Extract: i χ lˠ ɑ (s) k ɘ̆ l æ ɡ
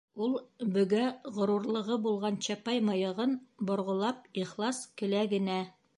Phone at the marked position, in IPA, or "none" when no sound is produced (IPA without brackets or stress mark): s